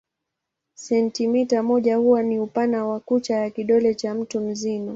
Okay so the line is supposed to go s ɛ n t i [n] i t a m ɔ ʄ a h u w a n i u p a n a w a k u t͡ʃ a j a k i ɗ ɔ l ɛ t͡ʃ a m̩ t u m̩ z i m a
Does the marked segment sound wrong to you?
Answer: yes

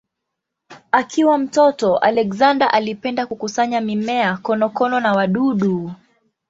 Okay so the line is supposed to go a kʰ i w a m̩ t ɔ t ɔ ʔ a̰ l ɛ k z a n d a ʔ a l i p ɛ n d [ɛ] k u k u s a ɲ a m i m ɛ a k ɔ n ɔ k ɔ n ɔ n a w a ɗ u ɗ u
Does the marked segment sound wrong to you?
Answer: yes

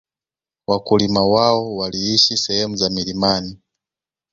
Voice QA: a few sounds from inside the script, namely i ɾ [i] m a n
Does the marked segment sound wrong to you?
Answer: no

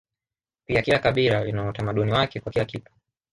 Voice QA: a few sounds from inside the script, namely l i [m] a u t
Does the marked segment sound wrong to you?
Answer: yes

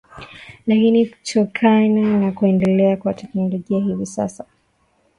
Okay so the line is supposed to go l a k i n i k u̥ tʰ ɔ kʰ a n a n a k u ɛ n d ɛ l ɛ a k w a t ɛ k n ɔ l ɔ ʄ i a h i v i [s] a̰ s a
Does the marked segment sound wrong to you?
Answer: no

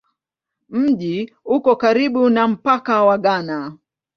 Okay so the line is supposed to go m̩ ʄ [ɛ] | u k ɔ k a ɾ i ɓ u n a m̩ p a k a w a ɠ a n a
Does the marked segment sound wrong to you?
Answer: yes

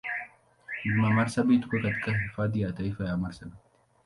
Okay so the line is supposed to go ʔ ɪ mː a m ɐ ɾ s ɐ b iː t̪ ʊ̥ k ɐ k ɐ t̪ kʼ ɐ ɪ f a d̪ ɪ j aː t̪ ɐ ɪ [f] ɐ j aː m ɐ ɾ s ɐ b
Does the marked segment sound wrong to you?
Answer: no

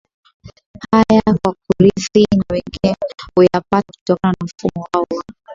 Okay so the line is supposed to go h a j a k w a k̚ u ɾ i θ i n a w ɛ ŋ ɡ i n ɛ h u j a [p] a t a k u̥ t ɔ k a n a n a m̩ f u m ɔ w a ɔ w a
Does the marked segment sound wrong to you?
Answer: no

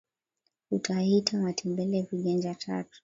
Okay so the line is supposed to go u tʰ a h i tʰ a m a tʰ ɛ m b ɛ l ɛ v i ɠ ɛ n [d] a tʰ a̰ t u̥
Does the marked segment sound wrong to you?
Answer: yes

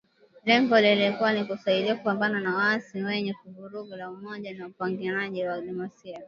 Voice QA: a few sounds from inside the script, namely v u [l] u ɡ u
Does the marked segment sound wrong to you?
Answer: yes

